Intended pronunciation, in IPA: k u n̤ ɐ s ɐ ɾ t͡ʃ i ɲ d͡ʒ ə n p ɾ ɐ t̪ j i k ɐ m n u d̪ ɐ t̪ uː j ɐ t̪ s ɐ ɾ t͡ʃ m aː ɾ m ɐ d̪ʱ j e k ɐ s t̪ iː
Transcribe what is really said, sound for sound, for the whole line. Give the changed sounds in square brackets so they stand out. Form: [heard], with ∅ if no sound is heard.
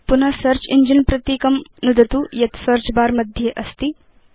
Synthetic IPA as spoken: [p] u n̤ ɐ s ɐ ɾ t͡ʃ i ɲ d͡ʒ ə n p ɾ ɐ t̪ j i k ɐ m n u d̪ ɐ t̪ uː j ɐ t̪ s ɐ ɾ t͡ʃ [b] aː ɾ m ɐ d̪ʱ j e [ʔ] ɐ s t̪ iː